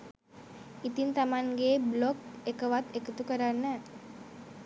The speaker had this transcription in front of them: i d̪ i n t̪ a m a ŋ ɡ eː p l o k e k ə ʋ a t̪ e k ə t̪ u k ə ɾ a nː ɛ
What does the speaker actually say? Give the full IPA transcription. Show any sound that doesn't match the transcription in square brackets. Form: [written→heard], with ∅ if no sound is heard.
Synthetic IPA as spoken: i [d̪→t̪] i n t̪ a m a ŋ ɡ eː [p→b] l o k e k ə ʋ a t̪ e k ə t̪ u k ə ɾ a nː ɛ